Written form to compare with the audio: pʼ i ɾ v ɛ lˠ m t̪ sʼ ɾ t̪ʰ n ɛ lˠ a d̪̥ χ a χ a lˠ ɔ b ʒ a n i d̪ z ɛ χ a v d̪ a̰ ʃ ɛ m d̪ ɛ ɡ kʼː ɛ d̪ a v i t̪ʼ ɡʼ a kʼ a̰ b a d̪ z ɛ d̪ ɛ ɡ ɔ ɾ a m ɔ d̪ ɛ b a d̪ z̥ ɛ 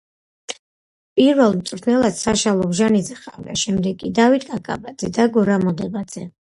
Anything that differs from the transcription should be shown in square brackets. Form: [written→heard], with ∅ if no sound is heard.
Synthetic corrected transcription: pʼ i ɾ v ɛ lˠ m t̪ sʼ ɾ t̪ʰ n ɛ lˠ a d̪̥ [χ→s] a [χ→ʃ] a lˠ ɔ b ʒ a n i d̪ z ɛ χ a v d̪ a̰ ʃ ɛ m d̪ ɛ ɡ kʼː [ɛ→i] d̪ a v i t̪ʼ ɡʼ a kʼ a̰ b a d̪ z ɛ d̪ [ɛ→a] ɡ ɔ ɾ a m ɔ d̪ ɛ b a d̪ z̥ ɛ